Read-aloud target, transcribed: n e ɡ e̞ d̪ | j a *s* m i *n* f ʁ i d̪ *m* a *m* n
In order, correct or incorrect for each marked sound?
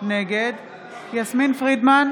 correct, correct, correct, incorrect: none

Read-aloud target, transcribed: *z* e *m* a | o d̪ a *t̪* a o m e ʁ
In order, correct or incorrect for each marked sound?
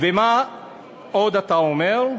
incorrect: v, correct, correct

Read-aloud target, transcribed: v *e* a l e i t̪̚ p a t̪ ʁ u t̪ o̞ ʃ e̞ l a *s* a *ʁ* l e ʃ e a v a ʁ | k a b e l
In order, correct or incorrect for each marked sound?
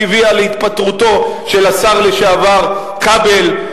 incorrect: i, correct, correct

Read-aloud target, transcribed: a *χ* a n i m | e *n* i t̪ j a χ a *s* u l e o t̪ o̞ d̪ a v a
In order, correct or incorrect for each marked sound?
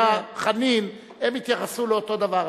correct, incorrect: m, correct

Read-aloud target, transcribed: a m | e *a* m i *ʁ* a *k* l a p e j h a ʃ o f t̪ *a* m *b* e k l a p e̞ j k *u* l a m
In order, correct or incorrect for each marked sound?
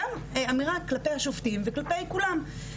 correct, correct, correct, incorrect: i, incorrect: v, correct

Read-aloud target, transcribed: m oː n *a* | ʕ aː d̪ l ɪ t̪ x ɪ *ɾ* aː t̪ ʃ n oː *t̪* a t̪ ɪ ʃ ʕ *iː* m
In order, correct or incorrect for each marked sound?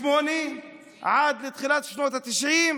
incorrect: i, incorrect: l, correct, correct

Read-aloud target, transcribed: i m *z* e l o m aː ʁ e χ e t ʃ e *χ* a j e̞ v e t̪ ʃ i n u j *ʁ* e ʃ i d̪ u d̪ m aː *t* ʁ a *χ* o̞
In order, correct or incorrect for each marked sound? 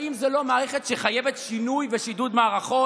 correct, correct, incorrect: v, incorrect: none, correct

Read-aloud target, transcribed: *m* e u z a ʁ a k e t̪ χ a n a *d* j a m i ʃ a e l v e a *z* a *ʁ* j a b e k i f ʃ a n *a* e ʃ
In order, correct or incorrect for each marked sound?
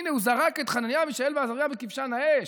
incorrect: n, incorrect: n, correct, correct, correct

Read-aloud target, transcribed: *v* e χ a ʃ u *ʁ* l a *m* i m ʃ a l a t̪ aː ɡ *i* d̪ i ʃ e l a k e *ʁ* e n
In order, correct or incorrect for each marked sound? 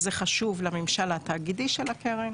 incorrect: z, incorrect: v, correct, correct, correct

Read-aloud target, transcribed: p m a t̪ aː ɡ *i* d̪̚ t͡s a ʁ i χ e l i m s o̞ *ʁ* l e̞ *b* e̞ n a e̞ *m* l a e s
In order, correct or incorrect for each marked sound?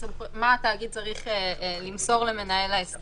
correct, correct, incorrect: m, incorrect: none

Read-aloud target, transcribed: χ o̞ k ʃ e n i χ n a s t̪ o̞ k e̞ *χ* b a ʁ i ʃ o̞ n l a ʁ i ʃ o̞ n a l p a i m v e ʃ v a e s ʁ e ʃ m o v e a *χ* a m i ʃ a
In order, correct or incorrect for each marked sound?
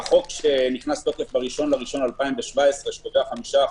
incorrect: f, correct

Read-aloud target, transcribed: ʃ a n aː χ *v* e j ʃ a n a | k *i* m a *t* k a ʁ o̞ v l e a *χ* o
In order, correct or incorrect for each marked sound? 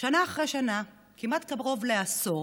incorrect: ʁ, correct, correct, incorrect: s

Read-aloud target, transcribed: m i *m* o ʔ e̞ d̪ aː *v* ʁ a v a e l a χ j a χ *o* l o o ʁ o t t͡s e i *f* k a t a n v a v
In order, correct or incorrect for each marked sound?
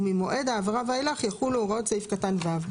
correct, correct, incorrect: u, correct

